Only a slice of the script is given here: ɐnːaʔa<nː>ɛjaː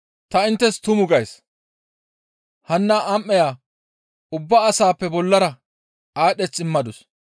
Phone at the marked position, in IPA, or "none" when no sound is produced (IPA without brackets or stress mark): mː